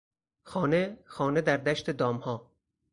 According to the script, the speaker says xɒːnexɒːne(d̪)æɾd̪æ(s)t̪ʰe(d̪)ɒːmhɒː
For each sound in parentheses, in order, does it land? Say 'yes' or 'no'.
yes, no, yes

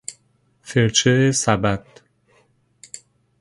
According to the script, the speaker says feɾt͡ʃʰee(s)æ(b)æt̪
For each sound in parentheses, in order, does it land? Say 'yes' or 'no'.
yes, yes

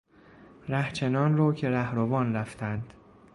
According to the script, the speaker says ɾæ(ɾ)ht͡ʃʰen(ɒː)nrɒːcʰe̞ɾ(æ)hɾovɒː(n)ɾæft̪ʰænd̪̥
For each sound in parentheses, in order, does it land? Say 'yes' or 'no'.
no, yes, yes, yes

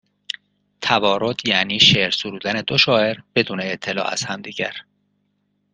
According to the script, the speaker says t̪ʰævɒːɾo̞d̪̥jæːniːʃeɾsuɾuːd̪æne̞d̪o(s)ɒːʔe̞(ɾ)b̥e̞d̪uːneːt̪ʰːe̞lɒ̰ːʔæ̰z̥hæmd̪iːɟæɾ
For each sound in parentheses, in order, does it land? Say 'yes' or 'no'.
no, yes

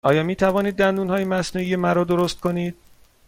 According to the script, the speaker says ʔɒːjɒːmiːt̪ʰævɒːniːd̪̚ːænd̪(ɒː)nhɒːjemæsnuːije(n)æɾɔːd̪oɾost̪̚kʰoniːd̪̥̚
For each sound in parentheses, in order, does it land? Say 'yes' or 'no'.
no, no

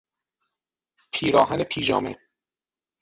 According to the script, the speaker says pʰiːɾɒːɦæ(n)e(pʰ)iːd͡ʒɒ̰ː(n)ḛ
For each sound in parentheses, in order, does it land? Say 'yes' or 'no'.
yes, yes, no

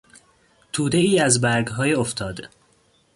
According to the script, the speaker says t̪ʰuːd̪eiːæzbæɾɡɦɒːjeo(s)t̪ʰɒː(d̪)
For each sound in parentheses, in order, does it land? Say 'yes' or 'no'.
no, yes

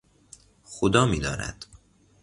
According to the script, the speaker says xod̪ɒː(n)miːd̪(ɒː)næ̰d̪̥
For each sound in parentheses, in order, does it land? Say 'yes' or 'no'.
no, yes

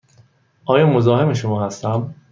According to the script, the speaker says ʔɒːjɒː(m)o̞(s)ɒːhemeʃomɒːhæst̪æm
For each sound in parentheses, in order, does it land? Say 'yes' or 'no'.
yes, no

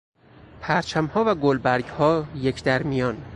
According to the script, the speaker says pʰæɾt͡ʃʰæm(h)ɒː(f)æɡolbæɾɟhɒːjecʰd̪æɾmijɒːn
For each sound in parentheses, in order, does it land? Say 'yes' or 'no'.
yes, no

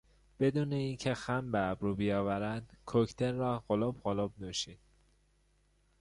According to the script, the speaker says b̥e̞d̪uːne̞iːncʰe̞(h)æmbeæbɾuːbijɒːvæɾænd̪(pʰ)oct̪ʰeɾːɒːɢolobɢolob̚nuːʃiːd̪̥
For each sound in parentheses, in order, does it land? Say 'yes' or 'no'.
no, no

